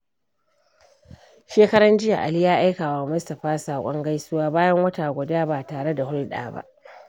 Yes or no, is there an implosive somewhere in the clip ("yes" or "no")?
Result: yes